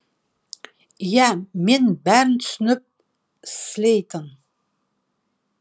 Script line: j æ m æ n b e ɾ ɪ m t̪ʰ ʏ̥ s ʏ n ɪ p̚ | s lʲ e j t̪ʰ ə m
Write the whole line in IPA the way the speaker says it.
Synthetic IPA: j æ m e n b æ ɾ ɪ n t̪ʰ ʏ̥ s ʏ n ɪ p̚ | s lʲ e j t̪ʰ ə n